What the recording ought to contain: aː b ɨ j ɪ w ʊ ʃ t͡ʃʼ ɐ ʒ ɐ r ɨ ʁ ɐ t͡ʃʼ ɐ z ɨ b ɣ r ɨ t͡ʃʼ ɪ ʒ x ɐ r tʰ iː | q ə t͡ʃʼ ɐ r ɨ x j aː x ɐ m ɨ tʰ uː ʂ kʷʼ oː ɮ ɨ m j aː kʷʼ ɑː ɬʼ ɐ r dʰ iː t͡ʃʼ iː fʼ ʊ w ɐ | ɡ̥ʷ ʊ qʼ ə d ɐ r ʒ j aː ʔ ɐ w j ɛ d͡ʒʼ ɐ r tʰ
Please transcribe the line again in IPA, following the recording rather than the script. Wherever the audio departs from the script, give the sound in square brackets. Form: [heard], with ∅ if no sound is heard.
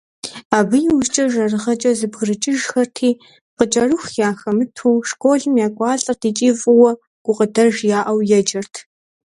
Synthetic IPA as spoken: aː b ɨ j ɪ w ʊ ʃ t͡ʃʼ ɐ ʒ ɐ r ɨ ʁ ɐ t͡ʃʼ ɐ z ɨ b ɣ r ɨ t͡ʃʼ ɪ ʒ x ɐ r tʰ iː | q ə t͡ʃʼ ɐ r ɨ x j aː x ɐ m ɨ tʰ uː ʂ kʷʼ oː ɮ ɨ m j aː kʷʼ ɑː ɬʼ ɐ r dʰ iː t͡ʃʼ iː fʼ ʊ w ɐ | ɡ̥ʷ ʊ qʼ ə d ɐ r ʒ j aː ʔ ɐ w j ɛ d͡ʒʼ ɐ r tʰ